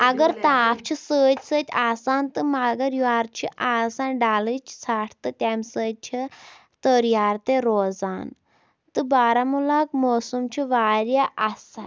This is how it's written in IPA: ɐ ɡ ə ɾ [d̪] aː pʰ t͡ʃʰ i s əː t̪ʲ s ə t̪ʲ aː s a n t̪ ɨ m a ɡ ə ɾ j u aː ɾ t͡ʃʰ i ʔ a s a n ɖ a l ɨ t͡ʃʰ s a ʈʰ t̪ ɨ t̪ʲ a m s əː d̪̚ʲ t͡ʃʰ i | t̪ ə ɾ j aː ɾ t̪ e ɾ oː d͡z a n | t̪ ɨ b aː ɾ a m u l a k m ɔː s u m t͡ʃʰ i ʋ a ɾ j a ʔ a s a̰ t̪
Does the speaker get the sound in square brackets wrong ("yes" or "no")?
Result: yes